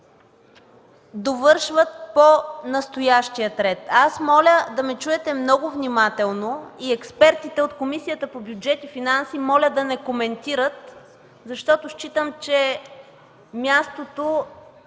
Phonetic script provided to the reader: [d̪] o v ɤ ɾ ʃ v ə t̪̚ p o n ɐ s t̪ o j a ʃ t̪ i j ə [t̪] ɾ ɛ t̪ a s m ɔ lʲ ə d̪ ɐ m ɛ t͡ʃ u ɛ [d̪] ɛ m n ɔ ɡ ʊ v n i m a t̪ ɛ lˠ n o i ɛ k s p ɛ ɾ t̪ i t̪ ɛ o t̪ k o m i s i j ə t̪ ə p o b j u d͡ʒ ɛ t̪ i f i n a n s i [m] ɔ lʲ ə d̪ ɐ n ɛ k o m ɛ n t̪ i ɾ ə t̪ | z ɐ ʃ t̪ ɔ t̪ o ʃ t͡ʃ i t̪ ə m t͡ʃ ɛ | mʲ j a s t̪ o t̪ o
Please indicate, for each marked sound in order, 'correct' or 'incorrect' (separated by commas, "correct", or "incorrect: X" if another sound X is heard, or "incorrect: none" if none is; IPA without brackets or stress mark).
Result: correct, correct, incorrect: t̪, correct